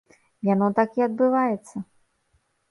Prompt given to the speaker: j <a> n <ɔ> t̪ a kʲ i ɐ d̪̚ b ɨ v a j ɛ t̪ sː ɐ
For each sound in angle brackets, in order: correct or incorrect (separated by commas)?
correct, correct